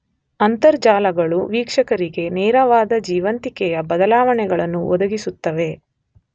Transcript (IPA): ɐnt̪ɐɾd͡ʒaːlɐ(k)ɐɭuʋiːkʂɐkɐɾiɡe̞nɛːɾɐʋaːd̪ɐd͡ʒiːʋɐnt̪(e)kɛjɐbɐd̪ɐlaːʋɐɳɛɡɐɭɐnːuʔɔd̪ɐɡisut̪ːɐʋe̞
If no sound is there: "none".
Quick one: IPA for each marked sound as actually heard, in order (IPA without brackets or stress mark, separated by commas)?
ɡ, i